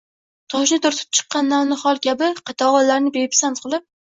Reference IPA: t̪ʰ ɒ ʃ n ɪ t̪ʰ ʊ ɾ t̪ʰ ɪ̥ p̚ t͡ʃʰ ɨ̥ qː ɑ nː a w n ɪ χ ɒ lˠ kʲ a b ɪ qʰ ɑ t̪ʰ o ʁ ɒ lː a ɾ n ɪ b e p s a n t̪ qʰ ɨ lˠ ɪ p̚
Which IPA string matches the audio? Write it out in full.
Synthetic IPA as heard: t̪ʰ ɒ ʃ n ɪ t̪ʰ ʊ ɾ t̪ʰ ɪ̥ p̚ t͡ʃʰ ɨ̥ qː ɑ nː a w n ɪ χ ɒ lˠ kʲ a b ɪ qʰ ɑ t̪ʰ ɒ ʁ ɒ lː a ɾ n ɪ b e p s a n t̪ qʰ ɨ lˠ ɪ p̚